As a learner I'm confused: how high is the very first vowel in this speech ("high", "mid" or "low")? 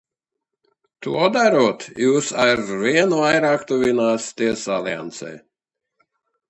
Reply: high